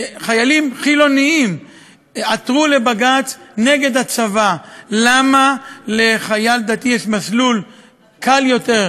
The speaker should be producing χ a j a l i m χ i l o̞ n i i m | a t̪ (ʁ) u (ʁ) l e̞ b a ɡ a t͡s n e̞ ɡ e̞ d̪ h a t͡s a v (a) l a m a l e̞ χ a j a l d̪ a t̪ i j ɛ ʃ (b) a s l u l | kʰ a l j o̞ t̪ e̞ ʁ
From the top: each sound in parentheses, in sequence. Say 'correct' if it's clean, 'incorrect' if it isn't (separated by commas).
correct, incorrect, correct, incorrect